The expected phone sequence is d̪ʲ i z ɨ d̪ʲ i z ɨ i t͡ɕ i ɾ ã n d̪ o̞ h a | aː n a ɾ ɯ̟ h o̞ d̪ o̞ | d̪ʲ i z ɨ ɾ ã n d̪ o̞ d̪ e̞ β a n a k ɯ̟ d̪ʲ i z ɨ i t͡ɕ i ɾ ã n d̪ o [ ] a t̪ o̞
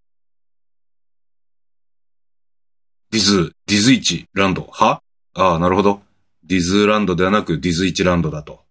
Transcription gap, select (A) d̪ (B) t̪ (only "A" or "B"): A